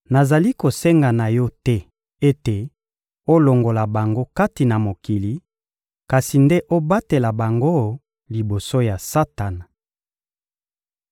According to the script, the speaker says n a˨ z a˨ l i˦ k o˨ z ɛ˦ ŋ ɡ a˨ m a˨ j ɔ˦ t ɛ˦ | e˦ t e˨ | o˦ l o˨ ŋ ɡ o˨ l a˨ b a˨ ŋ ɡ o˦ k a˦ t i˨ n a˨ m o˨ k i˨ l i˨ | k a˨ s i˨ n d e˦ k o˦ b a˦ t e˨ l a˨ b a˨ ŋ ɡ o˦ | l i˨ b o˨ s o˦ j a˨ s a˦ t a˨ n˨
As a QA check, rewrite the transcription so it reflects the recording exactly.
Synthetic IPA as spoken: n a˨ z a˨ l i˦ k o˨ s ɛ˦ ŋ ɡ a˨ n a˨ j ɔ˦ t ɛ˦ | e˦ t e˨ | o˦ l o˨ ŋ ɡ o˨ l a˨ b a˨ ŋ ɡ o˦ k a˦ t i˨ n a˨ m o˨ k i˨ l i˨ | k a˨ s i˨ n d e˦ ʔ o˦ b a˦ t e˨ l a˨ b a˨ ŋ ɡ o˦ | l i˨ b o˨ s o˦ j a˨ s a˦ t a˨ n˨